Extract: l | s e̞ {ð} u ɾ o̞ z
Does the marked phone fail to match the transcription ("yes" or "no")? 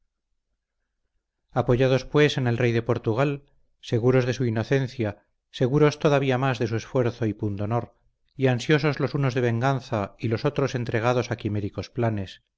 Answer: yes